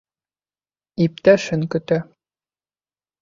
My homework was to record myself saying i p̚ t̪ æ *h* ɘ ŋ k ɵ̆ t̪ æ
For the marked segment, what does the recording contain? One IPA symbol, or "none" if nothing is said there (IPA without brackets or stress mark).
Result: ʃ